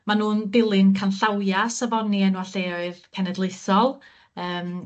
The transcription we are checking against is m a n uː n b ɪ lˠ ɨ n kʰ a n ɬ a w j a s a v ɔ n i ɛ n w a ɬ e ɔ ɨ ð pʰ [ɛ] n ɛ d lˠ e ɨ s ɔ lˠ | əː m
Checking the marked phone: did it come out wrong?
no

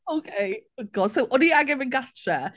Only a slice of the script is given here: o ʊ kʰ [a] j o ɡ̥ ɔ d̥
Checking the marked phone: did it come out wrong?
yes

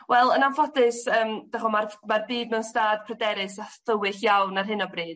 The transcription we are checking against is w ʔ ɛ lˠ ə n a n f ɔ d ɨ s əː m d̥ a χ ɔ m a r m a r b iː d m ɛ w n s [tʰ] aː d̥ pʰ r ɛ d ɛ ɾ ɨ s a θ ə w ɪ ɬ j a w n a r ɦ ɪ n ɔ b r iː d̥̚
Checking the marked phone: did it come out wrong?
yes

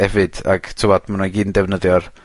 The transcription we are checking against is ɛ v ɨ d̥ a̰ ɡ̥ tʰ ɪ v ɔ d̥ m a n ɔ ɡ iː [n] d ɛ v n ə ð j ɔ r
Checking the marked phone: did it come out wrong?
no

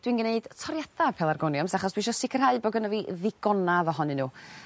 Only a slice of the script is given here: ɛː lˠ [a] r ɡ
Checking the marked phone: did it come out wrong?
no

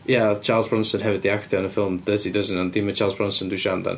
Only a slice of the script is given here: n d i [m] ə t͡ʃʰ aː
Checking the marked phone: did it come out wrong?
no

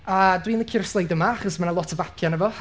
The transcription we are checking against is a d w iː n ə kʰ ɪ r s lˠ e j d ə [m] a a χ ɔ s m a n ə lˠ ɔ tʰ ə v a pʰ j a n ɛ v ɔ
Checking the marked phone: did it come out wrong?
no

